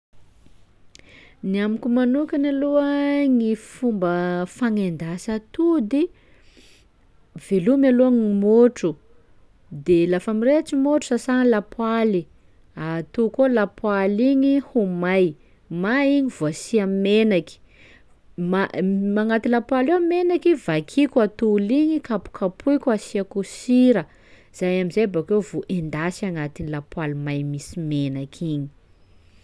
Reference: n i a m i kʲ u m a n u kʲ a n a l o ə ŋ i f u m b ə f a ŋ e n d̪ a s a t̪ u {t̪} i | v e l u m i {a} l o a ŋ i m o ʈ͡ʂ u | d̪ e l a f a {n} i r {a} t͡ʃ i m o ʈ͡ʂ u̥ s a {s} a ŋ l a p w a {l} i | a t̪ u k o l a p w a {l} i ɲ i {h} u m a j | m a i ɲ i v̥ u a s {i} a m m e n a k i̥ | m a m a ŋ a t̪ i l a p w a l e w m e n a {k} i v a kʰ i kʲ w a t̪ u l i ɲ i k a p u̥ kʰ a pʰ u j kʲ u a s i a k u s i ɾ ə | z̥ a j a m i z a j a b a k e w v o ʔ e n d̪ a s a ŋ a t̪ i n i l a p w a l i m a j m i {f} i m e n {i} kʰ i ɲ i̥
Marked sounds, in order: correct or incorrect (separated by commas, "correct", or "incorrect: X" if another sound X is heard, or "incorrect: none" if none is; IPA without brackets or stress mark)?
incorrect: d̪, correct, incorrect: m, incorrect: e, correct, correct, correct, correct, correct, correct, incorrect: s, incorrect: a